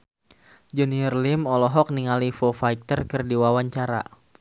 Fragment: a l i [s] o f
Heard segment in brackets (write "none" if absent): f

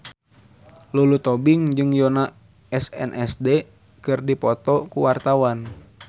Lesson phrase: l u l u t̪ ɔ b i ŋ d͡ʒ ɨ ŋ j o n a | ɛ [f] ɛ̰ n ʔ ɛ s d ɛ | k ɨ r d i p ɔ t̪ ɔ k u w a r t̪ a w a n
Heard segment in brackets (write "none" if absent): s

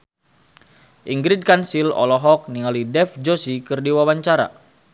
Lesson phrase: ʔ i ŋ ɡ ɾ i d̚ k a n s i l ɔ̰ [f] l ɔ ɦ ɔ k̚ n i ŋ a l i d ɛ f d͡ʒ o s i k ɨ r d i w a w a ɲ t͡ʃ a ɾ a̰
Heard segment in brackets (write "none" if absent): none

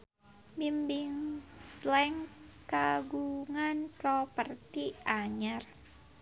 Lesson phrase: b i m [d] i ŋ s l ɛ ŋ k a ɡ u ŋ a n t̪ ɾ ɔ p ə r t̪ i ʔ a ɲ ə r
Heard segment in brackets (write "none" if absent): b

